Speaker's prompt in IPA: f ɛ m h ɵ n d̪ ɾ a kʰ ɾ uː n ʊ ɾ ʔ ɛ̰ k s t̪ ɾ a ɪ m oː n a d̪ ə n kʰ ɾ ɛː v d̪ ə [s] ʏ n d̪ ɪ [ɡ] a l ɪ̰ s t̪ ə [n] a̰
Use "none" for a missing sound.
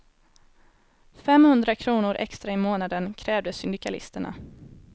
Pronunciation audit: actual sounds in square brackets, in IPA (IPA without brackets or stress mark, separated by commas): s, k, ɳ